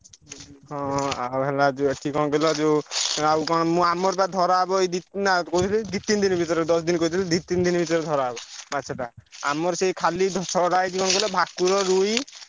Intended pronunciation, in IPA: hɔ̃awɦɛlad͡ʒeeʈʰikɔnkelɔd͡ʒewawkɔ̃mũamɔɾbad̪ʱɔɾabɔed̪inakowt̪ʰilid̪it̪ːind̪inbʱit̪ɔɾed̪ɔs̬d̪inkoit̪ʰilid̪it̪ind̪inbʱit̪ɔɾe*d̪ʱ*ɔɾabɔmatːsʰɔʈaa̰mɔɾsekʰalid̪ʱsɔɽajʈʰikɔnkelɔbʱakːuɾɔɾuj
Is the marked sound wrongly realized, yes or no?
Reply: no